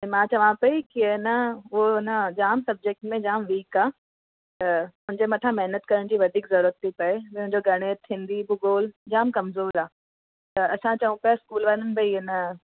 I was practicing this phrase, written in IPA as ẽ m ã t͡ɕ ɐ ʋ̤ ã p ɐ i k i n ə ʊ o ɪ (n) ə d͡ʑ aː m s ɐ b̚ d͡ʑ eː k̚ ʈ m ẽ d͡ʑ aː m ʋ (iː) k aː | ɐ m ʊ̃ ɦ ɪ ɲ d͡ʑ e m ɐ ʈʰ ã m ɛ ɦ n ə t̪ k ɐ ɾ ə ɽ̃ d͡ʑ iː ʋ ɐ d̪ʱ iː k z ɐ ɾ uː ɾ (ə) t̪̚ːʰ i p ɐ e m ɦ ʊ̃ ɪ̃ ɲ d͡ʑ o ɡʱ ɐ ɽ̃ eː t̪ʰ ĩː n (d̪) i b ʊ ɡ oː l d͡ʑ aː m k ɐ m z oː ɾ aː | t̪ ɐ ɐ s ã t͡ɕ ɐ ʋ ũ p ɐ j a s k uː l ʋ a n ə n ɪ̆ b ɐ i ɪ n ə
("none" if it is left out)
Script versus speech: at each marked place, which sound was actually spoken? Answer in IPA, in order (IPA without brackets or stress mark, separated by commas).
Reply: n, iː, ə, d̪